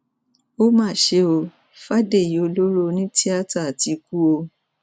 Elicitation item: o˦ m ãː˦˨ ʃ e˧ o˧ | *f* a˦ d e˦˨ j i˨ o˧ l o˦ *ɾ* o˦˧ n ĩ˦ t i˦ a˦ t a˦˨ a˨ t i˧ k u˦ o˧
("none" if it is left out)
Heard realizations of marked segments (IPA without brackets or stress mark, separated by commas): f, ɾ